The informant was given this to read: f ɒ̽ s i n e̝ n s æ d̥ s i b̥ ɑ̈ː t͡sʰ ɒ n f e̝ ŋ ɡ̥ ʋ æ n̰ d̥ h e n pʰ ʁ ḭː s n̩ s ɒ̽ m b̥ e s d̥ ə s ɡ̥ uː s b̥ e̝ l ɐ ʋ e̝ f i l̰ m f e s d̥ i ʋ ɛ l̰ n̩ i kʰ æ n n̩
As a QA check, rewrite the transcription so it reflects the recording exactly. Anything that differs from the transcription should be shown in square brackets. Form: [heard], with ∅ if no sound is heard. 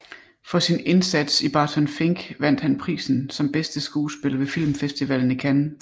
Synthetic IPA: f ɒ̽ s i n e̝ n s æ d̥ s i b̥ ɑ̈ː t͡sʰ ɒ n f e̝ ŋ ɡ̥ ʋ æ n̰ d̥ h [æ] n pʰ ʁ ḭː s n̩ s ɒ̽ m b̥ e s d̥ ə s ɡ̥ uː s b̥ e̝ l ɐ ʋ e̝ f i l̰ m f e s d̥ i ʋ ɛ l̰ n̩ i kʰ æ n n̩